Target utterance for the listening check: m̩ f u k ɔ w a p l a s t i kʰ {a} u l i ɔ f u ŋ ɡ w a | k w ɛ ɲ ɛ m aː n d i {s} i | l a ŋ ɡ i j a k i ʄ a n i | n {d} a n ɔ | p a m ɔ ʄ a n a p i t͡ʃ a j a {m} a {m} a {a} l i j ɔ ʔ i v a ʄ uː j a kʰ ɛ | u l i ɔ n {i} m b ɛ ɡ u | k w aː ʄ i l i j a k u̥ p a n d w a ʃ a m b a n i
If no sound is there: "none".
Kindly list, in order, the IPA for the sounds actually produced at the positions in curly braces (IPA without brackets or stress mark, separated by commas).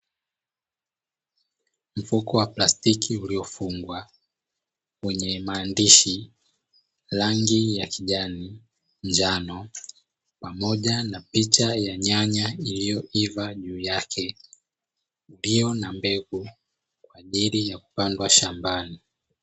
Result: i, ʃ, d͡ʒ, ɲ, ɲ, i, a